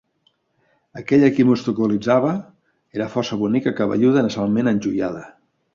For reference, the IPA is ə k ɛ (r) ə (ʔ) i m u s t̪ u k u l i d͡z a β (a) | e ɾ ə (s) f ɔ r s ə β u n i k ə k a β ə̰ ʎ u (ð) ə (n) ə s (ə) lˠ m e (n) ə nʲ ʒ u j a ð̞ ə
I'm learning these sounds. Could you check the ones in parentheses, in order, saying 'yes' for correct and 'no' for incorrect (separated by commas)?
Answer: no, no, no, no, yes, yes, no, yes